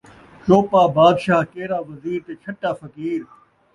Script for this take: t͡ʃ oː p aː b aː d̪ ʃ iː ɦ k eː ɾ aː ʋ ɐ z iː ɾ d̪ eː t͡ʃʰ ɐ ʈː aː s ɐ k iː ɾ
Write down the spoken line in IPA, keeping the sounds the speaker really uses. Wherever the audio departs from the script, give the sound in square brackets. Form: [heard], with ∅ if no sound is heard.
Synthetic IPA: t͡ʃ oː p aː b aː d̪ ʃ [aː] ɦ k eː ɾ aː ʋ ɐ z iː ɾ [t̪] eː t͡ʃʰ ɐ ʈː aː [f] ɐ k iː ɾ